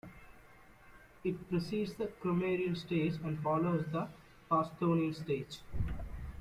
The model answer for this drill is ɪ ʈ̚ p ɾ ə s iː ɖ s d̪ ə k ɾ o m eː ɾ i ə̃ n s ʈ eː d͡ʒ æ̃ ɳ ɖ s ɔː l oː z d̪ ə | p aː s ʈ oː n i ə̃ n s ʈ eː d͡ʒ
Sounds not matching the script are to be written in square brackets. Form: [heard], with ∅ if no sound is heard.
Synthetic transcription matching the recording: ɪ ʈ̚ p ɾ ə s iː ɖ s d̪ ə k ɾ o m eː ɾ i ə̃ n s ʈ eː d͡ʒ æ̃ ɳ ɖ [f] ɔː l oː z d̪ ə | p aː s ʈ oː n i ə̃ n s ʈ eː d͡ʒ